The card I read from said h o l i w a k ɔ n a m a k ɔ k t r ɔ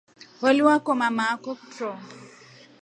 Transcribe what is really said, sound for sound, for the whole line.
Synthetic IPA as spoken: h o l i w a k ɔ m a m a k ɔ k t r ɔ